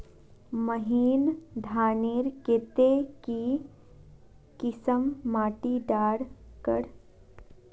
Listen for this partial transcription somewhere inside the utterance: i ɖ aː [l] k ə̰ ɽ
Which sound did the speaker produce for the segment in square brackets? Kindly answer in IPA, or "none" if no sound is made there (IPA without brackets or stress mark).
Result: ɽ